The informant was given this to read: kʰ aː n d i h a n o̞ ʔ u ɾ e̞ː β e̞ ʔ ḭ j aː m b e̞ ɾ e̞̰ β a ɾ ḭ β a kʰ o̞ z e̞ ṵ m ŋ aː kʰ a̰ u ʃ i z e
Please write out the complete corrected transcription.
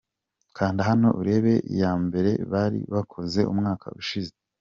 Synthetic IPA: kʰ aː n d i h a n o̞ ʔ u ɾ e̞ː β e̞ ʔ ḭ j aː m b e̞ ɾ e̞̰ β a ɾ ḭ β a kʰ o̞ z e̞ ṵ m ŋ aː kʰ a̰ u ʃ i z e